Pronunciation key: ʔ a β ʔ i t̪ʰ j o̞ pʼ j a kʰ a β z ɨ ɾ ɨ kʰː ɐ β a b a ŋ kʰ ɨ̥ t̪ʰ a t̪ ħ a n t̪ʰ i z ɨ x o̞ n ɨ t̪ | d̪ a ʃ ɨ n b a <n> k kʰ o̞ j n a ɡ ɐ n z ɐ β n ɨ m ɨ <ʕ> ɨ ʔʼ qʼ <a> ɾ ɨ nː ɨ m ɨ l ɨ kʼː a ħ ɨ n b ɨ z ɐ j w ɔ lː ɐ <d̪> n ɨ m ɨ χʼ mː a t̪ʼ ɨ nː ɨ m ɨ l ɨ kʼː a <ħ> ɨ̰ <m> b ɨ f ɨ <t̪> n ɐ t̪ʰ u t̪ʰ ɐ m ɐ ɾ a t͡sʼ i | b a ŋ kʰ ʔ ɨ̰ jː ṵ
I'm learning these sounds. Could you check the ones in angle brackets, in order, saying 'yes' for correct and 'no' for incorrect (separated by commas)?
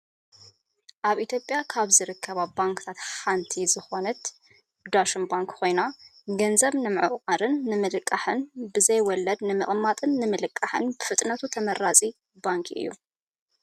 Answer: no, yes, yes, yes, yes, no, no